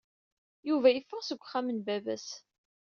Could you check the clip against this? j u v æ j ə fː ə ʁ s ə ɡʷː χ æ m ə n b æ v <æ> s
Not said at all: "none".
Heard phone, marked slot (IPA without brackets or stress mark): æ